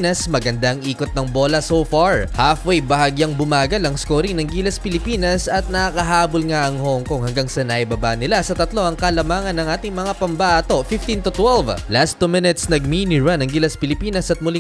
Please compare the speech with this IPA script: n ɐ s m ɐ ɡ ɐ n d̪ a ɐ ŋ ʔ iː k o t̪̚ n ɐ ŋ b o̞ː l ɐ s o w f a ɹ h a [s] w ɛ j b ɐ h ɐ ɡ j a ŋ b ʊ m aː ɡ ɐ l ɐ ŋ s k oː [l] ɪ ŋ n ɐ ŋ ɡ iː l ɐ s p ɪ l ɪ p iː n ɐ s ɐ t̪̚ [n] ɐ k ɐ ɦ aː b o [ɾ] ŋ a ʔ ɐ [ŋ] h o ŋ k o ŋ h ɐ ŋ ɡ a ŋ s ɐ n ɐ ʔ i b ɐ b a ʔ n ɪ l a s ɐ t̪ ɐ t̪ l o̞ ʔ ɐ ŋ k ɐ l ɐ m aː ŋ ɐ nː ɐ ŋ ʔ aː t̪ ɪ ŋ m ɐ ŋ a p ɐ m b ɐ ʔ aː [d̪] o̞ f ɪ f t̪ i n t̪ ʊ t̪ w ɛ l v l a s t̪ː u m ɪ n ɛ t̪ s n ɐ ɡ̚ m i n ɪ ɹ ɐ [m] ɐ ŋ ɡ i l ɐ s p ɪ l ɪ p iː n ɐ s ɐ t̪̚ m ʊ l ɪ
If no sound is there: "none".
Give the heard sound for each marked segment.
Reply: f, ɾ, n, l, ŋ, t̪, n

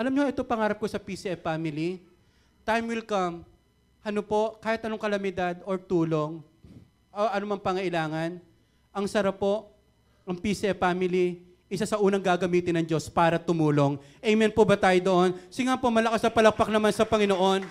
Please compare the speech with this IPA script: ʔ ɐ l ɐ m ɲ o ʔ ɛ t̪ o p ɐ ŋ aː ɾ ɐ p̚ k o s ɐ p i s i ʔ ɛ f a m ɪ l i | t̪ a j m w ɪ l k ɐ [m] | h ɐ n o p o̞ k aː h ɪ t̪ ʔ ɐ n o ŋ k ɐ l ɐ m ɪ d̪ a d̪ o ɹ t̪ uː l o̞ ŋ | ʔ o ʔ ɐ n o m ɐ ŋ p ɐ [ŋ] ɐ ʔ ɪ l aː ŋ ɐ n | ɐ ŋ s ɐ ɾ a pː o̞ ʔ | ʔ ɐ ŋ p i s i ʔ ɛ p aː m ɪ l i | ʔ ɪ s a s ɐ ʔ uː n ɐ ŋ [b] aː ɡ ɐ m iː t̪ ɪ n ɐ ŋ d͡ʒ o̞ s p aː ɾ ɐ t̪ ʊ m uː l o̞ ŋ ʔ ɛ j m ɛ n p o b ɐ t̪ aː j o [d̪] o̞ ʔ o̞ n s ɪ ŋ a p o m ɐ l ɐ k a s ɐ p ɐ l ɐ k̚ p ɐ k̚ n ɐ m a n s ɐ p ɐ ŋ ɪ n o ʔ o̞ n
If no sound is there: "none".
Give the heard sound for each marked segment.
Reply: m, ŋ, ɡ, d̪

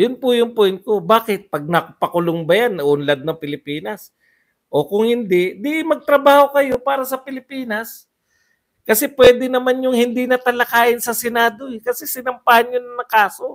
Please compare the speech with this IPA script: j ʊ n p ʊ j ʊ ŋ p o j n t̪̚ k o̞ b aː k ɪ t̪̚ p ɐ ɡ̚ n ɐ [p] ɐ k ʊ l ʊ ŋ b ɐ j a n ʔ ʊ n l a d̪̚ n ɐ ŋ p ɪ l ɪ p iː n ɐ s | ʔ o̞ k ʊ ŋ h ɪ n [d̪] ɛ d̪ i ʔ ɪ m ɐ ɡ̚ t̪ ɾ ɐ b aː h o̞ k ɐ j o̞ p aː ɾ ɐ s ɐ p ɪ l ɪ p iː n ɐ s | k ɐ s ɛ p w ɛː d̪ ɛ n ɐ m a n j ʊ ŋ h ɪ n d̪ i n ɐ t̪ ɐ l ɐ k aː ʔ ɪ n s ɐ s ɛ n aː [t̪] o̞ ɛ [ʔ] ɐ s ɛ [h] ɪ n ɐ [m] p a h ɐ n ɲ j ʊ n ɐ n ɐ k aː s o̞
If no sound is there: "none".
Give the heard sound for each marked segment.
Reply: p, d̪, d̪, k, s, m

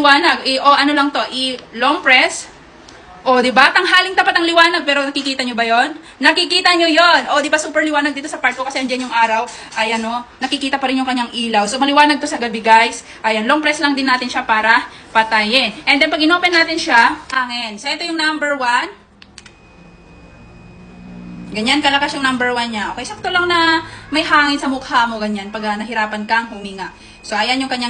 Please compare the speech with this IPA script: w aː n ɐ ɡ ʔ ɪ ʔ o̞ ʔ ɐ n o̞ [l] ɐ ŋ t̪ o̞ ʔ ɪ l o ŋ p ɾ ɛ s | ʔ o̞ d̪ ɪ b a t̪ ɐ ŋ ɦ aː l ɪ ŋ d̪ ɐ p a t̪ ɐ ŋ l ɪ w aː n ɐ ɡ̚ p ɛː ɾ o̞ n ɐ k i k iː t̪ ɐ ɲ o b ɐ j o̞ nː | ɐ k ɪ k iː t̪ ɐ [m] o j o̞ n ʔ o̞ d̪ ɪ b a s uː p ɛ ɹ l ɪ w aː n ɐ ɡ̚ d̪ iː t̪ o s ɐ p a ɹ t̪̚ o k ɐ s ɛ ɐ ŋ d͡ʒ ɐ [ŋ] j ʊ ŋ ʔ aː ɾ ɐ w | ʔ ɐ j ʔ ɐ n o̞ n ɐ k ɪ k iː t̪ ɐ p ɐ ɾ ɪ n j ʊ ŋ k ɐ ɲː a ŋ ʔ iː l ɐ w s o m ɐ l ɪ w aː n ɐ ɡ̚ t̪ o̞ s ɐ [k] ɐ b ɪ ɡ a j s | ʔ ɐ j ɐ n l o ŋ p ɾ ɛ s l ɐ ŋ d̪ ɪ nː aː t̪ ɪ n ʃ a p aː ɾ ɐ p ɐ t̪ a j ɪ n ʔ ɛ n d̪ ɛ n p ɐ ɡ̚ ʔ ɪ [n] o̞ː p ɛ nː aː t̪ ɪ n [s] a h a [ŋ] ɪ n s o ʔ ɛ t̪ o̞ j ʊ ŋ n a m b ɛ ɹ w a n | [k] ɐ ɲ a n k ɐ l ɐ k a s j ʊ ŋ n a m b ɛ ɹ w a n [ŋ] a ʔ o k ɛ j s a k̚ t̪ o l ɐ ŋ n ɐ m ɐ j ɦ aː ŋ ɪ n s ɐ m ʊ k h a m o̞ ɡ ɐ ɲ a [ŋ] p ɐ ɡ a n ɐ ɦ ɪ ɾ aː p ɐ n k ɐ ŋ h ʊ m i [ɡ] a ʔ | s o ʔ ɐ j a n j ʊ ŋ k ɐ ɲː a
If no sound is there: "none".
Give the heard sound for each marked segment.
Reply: l, ɲ, n, ɡ, n, ʃ, ŋ, ɡ, ɲ, n, ŋ

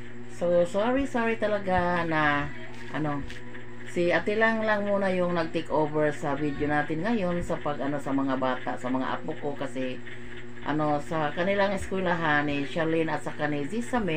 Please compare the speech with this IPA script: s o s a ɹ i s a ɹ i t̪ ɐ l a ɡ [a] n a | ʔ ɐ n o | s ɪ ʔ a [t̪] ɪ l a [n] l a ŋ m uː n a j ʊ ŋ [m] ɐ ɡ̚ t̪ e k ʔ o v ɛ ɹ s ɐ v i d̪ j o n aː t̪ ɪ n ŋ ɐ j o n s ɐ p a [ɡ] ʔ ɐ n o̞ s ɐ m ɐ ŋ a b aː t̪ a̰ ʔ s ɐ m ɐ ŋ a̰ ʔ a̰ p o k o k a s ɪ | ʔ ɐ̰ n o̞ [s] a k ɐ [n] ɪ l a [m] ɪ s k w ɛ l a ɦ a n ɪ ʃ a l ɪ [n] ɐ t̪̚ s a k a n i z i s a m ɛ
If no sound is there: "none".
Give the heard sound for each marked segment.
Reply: a, t̪, ŋ, n, ɡ, s, n, ŋ, n

